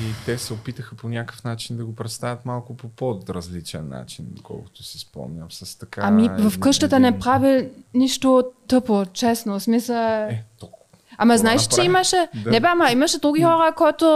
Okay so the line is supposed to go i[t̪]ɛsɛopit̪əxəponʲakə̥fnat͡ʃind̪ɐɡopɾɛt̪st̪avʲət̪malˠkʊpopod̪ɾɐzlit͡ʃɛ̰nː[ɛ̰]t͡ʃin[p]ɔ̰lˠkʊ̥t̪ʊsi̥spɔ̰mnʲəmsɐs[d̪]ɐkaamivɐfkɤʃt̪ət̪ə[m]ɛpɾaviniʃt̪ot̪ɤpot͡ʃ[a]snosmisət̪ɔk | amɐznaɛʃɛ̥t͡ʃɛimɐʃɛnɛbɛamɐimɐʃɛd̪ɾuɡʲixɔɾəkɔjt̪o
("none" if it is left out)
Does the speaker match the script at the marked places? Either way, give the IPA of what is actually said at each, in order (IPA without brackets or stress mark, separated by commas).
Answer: t̪, a̰, k, t̪, n, ɛ